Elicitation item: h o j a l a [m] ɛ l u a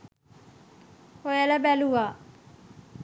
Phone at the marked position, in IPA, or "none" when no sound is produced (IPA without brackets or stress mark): b